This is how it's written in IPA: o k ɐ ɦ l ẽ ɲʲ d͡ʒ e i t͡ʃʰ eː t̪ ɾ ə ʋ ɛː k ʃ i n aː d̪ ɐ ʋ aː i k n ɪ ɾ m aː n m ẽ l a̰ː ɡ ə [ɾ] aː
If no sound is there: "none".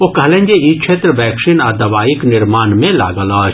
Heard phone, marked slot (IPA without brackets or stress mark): l